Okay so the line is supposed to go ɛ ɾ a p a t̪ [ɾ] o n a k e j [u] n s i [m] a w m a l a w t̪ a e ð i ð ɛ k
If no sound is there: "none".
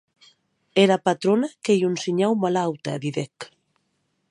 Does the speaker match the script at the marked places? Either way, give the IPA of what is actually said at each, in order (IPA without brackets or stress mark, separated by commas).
ɾ, u, ɲ